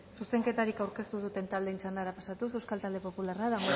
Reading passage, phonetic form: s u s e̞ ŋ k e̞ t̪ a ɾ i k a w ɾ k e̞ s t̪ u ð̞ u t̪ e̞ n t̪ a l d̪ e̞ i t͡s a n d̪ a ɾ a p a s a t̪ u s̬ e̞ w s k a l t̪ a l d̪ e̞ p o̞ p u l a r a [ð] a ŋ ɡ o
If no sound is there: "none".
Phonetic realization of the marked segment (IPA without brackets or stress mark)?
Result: ð